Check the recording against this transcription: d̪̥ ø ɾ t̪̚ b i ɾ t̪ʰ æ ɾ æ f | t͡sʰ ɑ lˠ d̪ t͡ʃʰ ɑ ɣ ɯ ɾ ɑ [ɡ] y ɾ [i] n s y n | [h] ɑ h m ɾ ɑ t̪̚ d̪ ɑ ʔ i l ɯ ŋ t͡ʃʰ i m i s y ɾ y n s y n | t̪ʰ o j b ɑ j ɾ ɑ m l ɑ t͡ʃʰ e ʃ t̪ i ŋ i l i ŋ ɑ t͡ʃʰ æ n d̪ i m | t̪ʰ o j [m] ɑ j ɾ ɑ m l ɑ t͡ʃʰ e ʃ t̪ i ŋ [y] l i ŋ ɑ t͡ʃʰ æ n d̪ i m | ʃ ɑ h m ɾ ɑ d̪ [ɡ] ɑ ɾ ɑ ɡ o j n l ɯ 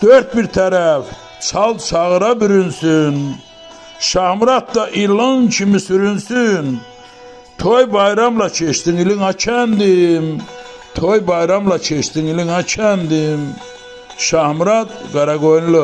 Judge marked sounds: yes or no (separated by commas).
no, no, no, no, no, yes